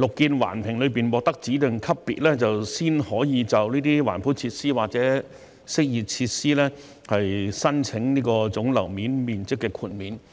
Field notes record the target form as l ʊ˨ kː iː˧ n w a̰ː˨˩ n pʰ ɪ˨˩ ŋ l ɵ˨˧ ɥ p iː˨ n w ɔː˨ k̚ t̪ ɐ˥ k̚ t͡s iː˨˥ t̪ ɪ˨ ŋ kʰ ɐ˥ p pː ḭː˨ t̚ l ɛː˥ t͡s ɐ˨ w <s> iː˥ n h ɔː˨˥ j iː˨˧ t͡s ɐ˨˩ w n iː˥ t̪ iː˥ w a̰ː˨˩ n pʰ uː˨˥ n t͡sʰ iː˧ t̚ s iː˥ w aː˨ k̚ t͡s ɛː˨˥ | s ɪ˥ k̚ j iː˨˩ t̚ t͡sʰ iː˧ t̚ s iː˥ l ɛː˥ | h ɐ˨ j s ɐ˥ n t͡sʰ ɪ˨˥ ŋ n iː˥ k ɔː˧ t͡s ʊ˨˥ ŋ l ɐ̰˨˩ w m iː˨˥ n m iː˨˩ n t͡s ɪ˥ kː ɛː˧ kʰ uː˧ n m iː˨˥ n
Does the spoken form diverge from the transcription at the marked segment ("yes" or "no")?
no